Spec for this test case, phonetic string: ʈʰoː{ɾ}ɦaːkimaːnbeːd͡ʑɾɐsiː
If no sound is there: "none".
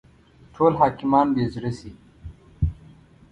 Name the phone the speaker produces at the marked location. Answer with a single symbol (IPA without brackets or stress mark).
l